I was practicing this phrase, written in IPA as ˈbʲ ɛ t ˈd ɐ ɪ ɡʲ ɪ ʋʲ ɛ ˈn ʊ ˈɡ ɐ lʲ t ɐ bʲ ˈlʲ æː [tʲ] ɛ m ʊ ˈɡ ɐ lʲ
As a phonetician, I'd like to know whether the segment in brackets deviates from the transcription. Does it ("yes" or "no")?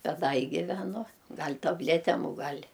no